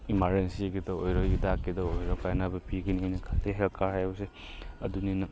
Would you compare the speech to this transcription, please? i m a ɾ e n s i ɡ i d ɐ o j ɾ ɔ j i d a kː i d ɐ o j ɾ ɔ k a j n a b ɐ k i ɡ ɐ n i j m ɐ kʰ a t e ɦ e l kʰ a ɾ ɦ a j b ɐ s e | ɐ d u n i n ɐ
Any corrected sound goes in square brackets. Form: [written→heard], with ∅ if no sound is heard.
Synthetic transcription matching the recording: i m a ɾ e n s i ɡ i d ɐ o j ɾ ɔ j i d a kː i d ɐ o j ɾ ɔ k a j n a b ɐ [k→p] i ɡ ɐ n i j [m→n] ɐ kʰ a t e ɦ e l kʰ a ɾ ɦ a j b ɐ s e | ɐ d u n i n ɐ